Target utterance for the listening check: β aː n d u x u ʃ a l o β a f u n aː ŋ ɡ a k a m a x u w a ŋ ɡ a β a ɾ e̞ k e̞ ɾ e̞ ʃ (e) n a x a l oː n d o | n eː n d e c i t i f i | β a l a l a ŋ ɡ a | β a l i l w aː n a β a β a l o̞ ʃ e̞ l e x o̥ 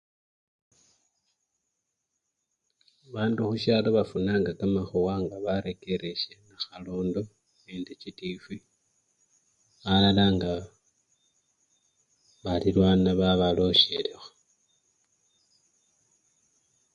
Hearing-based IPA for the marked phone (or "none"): e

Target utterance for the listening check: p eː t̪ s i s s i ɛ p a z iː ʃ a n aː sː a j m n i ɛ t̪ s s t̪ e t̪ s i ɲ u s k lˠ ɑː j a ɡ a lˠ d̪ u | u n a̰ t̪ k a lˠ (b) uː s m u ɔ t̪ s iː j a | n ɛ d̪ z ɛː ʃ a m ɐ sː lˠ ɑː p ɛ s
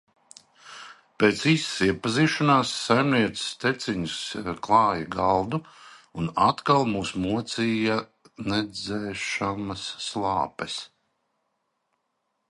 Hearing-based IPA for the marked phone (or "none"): m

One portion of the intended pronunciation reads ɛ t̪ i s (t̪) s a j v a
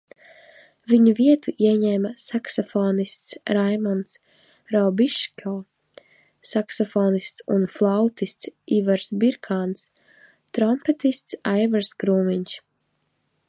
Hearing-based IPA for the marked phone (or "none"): t̪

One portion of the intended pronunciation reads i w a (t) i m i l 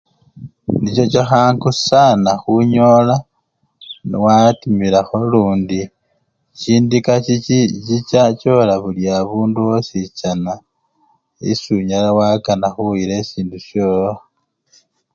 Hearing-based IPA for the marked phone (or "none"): t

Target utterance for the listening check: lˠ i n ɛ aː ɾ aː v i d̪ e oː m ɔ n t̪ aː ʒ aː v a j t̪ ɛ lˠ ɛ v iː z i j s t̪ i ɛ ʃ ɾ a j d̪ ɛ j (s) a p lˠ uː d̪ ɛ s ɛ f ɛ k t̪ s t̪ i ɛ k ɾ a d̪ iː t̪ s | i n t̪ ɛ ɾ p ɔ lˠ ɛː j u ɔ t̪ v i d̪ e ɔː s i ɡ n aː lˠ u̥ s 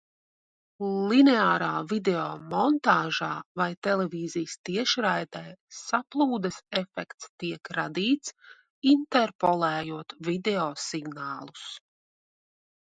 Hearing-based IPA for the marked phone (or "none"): s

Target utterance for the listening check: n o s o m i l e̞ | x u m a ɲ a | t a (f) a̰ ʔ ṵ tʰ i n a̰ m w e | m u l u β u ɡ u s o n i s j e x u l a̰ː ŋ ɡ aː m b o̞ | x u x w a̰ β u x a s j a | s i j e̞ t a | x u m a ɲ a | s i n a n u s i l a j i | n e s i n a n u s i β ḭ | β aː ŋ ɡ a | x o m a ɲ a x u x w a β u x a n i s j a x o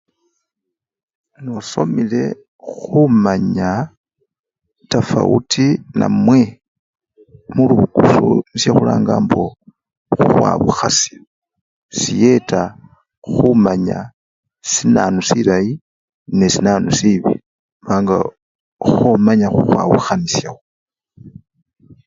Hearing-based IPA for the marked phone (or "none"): f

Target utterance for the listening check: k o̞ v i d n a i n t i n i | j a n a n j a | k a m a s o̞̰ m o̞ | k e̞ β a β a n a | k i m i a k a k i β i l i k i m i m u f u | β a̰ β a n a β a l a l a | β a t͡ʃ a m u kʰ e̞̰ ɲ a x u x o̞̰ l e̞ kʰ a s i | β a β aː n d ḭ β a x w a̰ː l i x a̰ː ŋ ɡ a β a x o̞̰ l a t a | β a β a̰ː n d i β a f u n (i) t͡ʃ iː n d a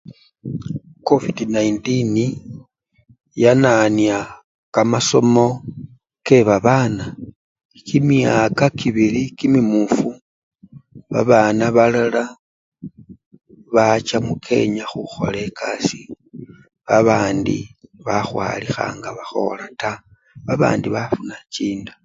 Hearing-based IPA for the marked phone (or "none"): a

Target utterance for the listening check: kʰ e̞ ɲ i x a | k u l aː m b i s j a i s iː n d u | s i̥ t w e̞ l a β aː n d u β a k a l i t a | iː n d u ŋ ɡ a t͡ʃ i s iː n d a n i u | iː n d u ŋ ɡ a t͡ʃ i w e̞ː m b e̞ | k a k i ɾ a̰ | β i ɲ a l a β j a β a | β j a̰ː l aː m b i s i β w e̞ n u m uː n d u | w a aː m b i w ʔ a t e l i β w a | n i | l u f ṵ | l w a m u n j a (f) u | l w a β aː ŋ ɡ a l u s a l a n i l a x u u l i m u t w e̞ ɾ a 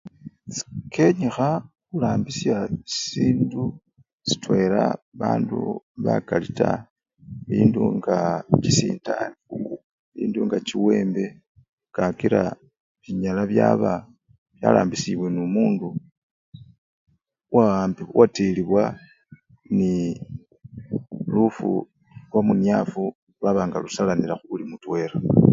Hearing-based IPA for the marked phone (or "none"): f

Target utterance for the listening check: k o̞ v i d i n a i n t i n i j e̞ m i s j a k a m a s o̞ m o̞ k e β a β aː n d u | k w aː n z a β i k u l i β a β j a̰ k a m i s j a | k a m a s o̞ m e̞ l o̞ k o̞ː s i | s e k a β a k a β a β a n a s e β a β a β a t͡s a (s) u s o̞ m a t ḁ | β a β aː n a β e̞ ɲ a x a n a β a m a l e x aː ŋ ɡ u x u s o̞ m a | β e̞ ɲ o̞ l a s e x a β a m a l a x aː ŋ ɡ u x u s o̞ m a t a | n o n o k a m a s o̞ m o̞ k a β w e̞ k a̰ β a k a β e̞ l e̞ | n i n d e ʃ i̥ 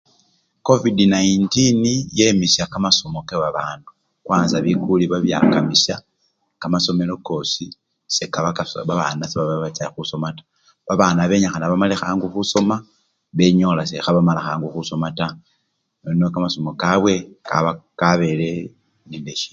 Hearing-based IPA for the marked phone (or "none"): x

